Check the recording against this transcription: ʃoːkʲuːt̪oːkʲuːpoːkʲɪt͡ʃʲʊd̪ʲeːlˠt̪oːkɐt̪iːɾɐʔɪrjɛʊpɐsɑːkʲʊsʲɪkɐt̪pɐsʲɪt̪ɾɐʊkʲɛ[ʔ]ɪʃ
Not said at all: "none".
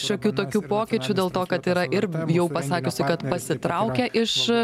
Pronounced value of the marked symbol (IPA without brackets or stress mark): ʔ